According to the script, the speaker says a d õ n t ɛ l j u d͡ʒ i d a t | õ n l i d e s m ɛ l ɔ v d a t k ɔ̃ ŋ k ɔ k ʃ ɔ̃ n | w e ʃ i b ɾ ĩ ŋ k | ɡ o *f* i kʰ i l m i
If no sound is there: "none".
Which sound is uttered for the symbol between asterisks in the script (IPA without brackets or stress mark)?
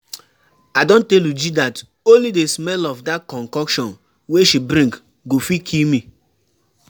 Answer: f